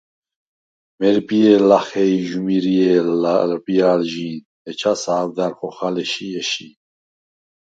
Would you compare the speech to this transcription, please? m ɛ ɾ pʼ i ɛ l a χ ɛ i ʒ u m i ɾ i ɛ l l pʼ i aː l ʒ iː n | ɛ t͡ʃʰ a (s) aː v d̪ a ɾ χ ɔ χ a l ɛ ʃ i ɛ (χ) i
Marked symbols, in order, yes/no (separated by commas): yes, no